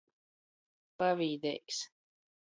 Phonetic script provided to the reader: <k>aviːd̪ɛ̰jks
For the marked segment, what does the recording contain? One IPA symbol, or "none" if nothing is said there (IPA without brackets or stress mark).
p